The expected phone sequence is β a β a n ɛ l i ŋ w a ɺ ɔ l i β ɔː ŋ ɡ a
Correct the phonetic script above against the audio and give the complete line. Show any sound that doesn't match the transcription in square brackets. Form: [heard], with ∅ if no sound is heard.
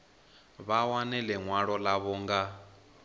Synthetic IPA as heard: β a [w] a n ɛ l [ɛ] ŋ w a ɺ ɔ l [a] β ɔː ŋ ɡ a